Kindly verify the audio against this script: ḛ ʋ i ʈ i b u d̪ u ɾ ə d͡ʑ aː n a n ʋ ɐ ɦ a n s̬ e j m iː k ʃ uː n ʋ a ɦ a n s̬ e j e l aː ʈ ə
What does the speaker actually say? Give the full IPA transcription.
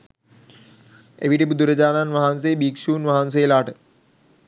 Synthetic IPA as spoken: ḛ ʋ i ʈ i b u d̪ u ɾ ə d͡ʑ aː n a n ʋ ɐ ɦ a n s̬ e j b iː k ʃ uː n ʋ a ɦ a n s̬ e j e l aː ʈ ə